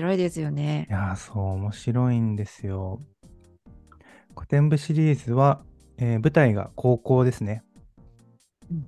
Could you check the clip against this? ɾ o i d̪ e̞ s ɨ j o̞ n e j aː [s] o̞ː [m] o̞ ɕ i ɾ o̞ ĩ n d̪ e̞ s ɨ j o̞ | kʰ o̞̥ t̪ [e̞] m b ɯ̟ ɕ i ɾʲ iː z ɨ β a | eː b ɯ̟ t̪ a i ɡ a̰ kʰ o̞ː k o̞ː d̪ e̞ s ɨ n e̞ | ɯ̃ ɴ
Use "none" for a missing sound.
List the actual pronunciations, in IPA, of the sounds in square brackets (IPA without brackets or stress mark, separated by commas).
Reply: s, m, ẽ̞